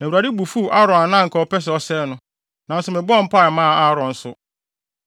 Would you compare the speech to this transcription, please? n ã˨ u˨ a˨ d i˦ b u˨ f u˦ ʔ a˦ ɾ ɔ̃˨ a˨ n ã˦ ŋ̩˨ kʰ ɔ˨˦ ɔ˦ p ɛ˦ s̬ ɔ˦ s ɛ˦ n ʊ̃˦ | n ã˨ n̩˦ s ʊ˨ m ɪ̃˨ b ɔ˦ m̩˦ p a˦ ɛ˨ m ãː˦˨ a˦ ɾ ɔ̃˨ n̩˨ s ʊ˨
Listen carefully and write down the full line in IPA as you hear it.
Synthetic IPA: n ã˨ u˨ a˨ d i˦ b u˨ f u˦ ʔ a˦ ɾ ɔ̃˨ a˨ n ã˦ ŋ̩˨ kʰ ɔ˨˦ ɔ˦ p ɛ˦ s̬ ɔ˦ s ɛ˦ n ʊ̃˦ | n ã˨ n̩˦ s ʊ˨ m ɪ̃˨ b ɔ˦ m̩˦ p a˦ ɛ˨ m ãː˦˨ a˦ ɾ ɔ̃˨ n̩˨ s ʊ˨